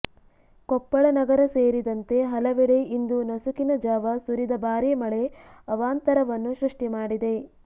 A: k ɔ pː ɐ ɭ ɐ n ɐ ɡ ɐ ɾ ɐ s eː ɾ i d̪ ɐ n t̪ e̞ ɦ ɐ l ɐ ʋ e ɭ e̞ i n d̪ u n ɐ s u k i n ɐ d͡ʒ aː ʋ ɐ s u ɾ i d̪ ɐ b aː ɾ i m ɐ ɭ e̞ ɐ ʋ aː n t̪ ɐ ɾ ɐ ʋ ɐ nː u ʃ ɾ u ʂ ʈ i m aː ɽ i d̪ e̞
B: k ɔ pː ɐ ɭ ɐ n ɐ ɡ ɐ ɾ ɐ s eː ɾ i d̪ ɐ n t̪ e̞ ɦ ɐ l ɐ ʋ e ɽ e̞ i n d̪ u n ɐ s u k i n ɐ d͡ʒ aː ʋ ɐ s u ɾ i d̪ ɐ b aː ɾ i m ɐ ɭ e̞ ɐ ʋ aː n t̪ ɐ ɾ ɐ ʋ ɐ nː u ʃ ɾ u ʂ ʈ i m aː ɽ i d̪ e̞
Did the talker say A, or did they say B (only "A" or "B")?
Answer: B